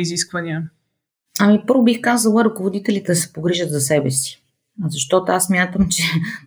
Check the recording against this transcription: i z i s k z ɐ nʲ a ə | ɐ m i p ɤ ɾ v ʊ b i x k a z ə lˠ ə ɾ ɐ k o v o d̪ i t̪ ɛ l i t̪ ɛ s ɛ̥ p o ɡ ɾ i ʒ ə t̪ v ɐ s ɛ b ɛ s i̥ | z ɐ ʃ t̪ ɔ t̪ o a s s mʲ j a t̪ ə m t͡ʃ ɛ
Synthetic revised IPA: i z i s k v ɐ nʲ i ə | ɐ m i p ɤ ɾ v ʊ b i x k a z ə lˠ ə ɾ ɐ k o v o d̪ i t̪ ɛ l i t̪ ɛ s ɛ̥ p o ɡ ɾ i ʒ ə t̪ z ɐ s ɛ b ɛ s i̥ | z ɐ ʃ t̪ ɔ t̪ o a s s mʲ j a t̪ ə m t͡ʃ ɛ